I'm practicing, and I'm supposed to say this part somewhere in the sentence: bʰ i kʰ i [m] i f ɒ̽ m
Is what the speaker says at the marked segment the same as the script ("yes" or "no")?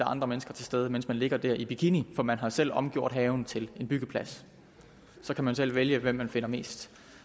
no